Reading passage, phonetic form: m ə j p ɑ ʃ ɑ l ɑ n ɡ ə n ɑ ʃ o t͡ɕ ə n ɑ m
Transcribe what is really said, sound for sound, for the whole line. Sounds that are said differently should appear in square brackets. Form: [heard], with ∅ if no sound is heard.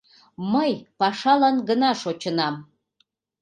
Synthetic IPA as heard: m ə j p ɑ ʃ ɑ l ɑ n ɡ ə n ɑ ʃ o t͡ɕ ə n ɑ m

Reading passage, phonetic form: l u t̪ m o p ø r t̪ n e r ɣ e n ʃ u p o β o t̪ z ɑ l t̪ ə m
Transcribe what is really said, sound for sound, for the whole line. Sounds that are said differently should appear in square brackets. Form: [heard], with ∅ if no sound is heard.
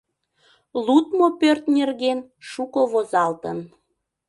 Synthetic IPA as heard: l u t̪ m o p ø r t̪ n e r ɣ e n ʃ u [k] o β o [∅] z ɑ l t̪ ə [n]

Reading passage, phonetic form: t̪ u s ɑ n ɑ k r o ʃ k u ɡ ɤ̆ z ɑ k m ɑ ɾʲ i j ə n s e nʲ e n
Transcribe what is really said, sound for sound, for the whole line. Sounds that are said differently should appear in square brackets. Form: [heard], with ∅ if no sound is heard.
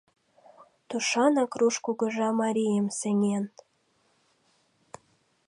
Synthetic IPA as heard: t̪ u [ʃ] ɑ n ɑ k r [u] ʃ k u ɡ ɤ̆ [ʒ] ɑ [∅] m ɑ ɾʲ i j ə [m] s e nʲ e n

